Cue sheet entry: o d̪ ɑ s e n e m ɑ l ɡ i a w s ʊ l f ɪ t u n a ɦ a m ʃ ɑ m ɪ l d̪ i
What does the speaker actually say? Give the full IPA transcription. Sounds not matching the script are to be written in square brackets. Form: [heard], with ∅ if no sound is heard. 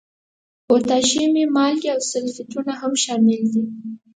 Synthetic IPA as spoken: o [t̪] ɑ [ʃ] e [m] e m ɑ l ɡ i a w s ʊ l f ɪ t u n a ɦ a m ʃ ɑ m ɪ l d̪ i